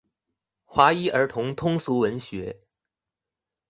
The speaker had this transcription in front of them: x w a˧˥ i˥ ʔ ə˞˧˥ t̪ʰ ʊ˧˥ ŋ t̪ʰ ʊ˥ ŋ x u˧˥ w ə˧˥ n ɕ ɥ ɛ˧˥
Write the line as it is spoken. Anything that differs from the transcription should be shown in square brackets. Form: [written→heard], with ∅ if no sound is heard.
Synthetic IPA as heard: x w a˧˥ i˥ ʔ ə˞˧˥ t̪ʰ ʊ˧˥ ŋ t̪ʰ ʊ˥ ŋ [x→s] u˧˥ w ə˧˥ n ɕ ɥ ɛ˧˥